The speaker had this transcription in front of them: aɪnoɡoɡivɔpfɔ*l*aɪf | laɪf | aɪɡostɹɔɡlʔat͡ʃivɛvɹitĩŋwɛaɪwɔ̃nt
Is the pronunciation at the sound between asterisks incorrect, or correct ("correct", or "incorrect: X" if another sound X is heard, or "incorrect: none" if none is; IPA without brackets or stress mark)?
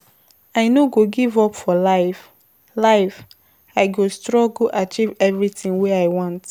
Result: correct